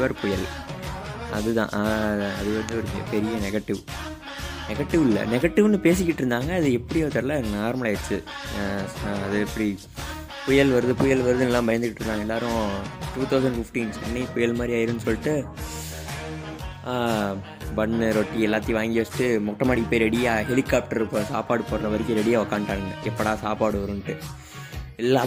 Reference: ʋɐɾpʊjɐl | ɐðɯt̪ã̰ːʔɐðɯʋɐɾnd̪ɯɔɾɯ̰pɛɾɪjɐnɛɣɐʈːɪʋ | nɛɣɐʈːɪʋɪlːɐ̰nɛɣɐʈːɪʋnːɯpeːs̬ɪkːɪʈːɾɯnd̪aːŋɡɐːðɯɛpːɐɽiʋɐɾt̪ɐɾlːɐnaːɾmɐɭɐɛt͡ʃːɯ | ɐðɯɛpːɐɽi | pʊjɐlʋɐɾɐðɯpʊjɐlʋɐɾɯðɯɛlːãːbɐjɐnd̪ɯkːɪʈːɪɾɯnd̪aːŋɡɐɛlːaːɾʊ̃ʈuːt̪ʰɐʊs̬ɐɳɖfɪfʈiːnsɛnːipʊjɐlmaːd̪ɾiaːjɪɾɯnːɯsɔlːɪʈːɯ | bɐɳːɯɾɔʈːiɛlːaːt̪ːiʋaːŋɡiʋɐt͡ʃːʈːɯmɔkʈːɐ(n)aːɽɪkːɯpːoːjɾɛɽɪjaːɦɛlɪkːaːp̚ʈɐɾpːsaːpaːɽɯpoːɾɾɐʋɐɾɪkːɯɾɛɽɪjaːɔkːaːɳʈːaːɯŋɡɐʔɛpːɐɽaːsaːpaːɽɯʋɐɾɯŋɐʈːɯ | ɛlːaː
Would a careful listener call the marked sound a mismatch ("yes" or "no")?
yes